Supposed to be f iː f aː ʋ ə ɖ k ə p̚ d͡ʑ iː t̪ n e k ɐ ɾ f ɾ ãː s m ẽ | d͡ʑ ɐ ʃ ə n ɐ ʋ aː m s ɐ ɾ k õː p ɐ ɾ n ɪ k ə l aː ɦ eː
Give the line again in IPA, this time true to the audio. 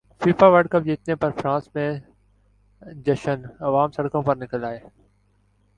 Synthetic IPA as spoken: f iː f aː ʋ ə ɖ k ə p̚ d͡ʑ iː t̪ n e p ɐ ɾ f ɾ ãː s m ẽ | d͡ʑ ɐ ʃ ə n ɐ ʋ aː m s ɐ ɽ k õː p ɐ ɾ n ɪ k ə l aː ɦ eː